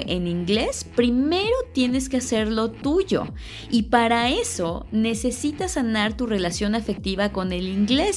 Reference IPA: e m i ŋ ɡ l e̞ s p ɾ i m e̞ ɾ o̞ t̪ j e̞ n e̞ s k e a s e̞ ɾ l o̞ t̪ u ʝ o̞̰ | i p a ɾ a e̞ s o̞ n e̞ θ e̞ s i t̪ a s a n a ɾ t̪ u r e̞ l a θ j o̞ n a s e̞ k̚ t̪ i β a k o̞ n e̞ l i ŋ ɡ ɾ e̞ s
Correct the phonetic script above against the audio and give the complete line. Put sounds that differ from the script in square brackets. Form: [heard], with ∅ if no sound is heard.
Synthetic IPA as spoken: e [n] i ŋ ɡ l e̞ s p ɾ i m e̞ ɾ o̞ t̪ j e̞ n e̞ s k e a s e̞ ɾ l o̞ t̪ u ʝ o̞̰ | i p a ɾ a e̞ s o̞ n e̞ [s] e̞ s i t̪ a s a n a ɾ t̪ u r e̞ l a [s] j o̞ n a [f] e̞ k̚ t̪ i β a k o̞ n e̞ l i ŋ ɡ [l] e̞ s